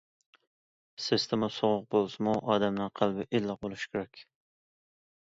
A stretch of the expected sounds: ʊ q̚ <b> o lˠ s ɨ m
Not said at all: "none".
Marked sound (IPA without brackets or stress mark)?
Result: b